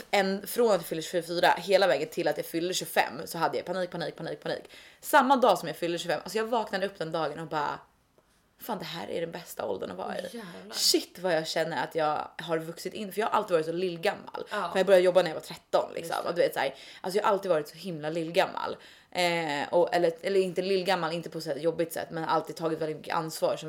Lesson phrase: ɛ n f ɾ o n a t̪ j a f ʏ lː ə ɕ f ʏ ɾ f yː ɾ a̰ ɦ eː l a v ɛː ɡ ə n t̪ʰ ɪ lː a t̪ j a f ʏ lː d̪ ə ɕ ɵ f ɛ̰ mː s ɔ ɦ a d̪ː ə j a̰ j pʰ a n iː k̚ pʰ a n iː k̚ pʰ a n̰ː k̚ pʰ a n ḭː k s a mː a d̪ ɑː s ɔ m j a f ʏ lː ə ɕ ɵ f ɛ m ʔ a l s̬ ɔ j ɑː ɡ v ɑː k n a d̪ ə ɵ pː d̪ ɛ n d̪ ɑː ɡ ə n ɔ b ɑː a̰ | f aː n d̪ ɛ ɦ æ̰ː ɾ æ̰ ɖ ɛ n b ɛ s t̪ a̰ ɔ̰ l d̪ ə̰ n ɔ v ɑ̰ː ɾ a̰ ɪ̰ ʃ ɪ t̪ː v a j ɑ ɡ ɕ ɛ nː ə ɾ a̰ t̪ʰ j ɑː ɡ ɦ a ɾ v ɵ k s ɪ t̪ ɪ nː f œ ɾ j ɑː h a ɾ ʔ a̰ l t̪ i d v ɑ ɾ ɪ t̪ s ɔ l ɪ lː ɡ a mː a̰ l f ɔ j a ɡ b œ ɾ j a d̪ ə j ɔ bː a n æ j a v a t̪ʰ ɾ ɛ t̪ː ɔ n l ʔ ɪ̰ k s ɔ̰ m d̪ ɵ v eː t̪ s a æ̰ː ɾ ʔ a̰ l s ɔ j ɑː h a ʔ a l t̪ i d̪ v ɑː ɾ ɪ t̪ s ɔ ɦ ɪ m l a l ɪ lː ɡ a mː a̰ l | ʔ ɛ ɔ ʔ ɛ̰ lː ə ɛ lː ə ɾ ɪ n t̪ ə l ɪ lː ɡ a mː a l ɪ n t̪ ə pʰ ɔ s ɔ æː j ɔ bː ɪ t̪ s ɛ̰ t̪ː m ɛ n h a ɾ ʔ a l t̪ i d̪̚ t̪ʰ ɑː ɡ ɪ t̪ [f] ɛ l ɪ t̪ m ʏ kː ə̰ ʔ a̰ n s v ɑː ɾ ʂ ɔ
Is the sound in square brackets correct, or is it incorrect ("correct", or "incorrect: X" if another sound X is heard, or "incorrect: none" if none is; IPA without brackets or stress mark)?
incorrect: v